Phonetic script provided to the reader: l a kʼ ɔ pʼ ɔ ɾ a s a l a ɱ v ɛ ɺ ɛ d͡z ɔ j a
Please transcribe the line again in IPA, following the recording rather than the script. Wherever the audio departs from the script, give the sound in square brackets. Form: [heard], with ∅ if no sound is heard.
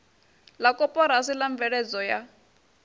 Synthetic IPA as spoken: l a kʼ ɔ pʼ ɔ ɾ a s [i] l a ɱ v ɛ ɺ ɛ d͡z ɔ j a